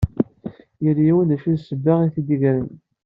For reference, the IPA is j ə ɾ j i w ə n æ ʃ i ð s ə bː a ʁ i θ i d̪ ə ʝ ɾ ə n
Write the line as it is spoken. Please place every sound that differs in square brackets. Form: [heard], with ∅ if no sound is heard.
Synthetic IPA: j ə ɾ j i w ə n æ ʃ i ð s ə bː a ʁ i θ i d̪ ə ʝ ɾ ə n